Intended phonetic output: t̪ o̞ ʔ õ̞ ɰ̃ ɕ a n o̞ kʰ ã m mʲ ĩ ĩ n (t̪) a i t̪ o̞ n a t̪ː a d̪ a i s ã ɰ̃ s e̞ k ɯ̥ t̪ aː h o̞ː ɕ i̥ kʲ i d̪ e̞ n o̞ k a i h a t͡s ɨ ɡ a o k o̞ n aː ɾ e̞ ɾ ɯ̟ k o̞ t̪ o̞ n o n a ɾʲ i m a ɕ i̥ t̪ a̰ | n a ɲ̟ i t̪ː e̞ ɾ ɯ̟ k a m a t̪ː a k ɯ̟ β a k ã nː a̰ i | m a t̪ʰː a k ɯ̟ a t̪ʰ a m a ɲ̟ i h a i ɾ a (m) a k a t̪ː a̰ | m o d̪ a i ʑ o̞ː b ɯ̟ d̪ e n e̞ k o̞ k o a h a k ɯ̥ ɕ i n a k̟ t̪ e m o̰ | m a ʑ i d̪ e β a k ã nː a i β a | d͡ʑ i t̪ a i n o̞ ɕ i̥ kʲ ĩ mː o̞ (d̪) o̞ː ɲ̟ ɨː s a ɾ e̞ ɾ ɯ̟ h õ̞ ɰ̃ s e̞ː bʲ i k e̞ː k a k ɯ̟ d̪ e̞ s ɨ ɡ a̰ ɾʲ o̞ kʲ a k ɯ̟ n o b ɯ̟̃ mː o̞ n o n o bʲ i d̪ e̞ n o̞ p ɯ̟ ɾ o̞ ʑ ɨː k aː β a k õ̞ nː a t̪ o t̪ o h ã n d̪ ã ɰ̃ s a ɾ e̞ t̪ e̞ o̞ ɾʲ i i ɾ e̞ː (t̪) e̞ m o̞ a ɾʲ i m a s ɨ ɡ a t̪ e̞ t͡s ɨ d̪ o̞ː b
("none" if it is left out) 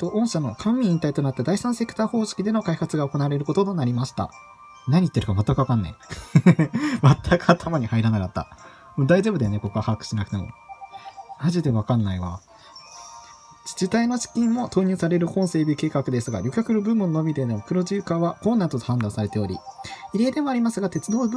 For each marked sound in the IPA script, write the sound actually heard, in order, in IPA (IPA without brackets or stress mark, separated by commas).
t̪, n, t̪, d̪